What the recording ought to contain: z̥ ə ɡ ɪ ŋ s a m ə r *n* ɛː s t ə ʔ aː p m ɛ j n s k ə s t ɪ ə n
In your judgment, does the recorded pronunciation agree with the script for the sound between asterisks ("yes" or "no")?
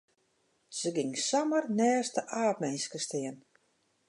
yes